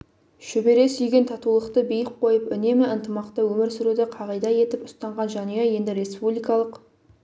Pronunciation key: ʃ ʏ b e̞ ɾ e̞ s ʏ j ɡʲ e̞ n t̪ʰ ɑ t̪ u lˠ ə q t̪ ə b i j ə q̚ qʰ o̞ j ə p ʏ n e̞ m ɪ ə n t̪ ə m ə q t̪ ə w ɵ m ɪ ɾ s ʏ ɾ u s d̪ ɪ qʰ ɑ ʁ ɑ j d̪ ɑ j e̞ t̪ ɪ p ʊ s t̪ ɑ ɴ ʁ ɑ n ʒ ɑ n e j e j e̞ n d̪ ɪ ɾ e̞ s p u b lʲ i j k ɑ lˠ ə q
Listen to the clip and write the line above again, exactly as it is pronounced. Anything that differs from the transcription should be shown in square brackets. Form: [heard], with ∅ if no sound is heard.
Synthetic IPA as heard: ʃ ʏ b e̞ ɾ e̞ s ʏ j ɡʲ e̞ n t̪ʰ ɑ t̪ u lˠ ə q t̪ ə b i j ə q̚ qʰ o̞ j ə p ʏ n e̞ m ɪ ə n t̪ ə m [ɑ] q t̪ ə w ɵ m ɪ ɾ s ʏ ɾ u [∅] d̪ ɪ qʰ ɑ ʁ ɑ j d̪ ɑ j e̞ t̪ ɪ p ʊ s t̪ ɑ ɴ ʁ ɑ n ʒ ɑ n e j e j e̞ n d̪ ɪ ɾ e̞ s p u b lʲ i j k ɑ lˠ ə q